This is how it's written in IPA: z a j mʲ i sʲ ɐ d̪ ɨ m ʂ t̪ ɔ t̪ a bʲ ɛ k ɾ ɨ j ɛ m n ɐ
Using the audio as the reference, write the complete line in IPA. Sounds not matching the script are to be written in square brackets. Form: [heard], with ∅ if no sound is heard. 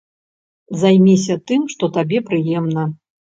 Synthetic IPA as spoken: z a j mʲ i sʲ ɐ [t̪] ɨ m ʂ t̪ ɔ t̪ a bʲ ɛ [p] ɾ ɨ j ɛ m n ɐ